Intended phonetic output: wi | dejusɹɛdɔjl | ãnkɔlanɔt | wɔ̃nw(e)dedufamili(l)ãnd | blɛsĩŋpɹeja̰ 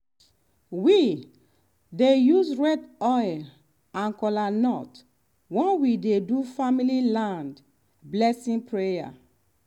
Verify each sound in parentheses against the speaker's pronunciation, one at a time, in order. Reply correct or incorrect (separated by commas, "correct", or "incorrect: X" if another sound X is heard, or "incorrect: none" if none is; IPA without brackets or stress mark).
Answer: incorrect: i, correct